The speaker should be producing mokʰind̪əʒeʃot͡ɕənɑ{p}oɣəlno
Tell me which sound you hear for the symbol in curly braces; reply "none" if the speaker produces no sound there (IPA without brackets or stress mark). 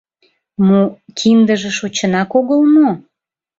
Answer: k